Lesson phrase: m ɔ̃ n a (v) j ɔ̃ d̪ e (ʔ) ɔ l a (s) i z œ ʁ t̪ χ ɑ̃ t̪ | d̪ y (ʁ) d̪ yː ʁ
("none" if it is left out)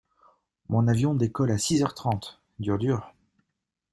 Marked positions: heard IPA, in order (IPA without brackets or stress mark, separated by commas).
v, k, s, ʁ